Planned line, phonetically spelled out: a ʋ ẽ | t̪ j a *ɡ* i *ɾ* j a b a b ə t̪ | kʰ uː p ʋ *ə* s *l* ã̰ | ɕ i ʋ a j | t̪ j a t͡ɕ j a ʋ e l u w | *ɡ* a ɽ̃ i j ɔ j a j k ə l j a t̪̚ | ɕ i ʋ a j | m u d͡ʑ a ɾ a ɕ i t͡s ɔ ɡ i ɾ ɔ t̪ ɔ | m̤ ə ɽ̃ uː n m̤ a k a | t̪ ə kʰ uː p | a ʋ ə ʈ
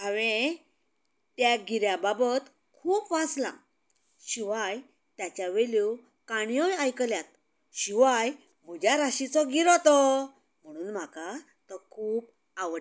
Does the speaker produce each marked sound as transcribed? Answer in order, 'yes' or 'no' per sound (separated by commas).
yes, yes, no, yes, no